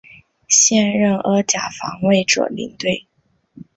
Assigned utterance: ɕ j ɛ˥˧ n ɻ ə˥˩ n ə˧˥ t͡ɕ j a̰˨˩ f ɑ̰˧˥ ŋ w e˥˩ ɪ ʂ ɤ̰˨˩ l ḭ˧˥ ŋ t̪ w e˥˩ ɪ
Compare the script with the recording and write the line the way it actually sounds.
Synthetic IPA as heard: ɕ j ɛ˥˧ n ɻ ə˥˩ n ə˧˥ t͡ɕ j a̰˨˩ f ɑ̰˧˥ ŋ w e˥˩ ɪ ʈ͡ʂ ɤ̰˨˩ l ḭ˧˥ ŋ t̪ w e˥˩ ɪ